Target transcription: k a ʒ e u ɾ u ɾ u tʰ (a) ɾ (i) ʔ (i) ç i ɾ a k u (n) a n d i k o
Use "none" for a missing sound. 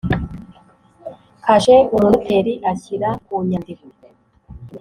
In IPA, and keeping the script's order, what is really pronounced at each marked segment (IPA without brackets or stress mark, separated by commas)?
e, i, a, ɲ